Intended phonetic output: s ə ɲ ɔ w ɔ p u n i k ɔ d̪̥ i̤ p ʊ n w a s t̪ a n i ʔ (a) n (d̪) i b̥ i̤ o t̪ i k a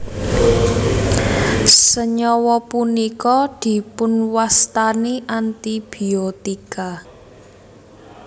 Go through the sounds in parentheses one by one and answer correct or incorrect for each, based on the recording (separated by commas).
correct, incorrect